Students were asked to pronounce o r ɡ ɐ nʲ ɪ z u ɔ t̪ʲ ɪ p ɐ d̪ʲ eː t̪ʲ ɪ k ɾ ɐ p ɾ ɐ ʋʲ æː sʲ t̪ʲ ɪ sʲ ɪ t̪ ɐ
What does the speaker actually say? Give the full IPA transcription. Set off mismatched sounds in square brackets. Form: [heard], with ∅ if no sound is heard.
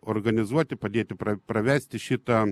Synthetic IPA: o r ɡ ɐ nʲ ɪ z u ɔ t̪ʲ ɪ p ɐ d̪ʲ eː t̪ʲ ɪ [p] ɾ ɐ p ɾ ɐ ʋʲ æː sʲ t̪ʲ ɪ [ʃʲ] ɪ t̪ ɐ